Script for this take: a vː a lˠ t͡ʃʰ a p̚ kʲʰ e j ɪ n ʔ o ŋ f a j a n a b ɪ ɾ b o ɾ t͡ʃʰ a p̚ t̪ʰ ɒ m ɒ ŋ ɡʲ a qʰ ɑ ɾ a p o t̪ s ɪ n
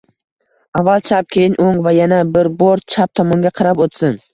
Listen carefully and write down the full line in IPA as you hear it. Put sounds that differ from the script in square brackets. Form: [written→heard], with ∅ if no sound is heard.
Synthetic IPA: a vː a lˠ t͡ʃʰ a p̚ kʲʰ e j ɪ n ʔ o ŋ [f→v] a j a n a b ɪ ɾ b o ɾ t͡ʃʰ a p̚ t̪ʰ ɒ m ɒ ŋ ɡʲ a qʰ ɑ ɾ a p o t̪ s ɪ n